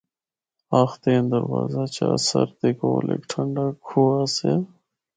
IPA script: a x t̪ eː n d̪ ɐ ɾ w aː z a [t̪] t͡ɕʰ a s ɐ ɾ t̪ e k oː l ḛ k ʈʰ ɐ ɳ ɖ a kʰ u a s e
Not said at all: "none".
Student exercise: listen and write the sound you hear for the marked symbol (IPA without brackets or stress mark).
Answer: none